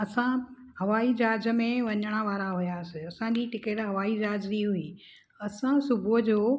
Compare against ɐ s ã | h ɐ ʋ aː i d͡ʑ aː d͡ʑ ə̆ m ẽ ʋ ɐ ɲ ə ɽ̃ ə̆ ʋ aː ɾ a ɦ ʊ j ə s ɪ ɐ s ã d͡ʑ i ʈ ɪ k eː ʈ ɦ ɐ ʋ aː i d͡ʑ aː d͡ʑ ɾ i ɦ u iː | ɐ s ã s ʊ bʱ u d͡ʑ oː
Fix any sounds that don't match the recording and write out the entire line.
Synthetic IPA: ɐ s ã | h ɐ ʋ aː i d͡ʑ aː d͡ʑ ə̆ m ẽ ʋ ɐ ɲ ə ɽ̃ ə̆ ʋ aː ɾ a ɦ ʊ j a s ɪ ɐ s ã d͡ʑ i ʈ ɪ k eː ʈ ɦ ɐ ʋ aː i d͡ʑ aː d͡ʑ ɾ i ɦ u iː | ɐ s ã s ʊ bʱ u d͡ʑ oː